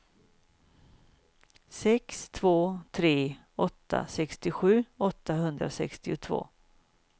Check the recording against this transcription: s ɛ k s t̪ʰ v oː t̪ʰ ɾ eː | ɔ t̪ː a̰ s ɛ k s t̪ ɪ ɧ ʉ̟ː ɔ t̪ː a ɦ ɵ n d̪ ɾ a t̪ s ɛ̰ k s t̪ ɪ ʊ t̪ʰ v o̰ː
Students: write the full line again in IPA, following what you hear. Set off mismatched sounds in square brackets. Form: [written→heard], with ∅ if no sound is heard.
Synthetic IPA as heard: s ɛ k s t̪ʰ v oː t̪ʰ ɾ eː | ɔ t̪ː a̰ s ɛ k s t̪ ɪ ɧ ʉ̟ː ɔ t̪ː a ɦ ɵ n d̪ ɾ a [t̪→∅] s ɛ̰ k s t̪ ɪ ʊ t̪ʰ v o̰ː